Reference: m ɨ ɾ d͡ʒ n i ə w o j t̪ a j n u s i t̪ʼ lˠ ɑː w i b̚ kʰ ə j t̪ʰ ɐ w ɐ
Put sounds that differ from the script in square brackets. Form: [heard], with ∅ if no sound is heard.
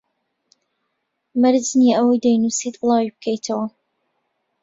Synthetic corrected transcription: m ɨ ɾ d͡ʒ n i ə w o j [d̪] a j n u s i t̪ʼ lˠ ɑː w i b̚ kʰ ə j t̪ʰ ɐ w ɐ